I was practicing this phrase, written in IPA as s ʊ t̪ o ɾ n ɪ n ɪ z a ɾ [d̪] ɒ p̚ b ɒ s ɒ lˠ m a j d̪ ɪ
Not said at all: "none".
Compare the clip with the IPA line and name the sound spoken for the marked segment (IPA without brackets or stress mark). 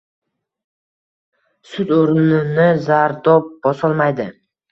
d̪